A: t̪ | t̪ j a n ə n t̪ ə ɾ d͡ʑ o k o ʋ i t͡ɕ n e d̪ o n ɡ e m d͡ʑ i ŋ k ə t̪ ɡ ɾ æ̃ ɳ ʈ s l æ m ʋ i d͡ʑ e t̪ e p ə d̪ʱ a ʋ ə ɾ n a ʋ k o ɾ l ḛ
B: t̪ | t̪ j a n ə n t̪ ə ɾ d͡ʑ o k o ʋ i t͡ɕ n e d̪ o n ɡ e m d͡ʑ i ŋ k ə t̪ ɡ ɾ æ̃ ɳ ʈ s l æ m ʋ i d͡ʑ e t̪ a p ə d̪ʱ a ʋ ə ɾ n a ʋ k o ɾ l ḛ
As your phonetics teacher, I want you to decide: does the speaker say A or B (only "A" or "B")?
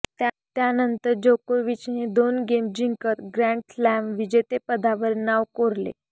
A